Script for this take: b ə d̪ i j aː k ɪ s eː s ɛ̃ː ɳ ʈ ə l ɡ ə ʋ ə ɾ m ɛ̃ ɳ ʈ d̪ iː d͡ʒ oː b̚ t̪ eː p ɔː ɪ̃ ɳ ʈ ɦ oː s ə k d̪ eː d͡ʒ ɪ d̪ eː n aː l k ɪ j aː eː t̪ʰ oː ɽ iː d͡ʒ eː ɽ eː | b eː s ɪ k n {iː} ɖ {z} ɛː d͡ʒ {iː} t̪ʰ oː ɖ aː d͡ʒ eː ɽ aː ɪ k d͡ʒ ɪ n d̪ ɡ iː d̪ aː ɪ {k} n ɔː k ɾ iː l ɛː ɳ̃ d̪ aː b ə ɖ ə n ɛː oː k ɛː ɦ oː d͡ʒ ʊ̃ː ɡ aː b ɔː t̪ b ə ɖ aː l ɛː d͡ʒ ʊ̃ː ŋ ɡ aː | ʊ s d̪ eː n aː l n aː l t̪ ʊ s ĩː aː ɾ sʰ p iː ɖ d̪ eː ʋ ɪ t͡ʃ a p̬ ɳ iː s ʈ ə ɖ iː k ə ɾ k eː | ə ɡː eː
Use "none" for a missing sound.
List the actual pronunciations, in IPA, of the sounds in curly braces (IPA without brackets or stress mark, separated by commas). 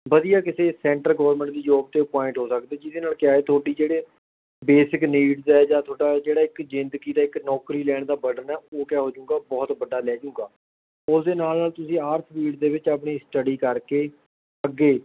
iː, z, aː, k